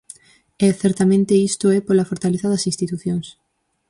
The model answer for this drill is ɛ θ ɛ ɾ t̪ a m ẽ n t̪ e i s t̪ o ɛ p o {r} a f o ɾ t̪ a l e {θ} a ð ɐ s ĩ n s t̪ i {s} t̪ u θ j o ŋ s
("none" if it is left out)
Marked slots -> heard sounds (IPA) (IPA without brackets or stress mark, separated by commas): l, θ, none